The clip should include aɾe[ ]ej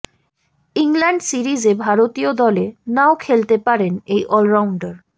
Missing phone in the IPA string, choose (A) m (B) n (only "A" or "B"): B